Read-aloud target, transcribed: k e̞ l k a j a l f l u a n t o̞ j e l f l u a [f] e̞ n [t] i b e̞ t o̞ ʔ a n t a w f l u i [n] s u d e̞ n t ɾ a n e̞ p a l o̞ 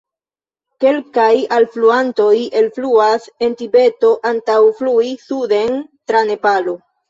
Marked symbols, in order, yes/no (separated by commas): no, yes, no